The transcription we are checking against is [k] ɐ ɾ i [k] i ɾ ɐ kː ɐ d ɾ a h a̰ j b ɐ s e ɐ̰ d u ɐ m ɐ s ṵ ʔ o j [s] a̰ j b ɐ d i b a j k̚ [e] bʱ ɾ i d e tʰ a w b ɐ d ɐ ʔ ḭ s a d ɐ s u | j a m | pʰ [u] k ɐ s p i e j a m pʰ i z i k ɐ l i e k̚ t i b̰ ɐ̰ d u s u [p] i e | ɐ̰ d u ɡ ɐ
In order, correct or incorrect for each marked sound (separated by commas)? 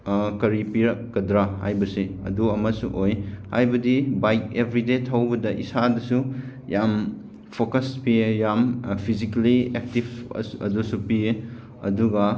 correct, incorrect, incorrect, correct, incorrect, correct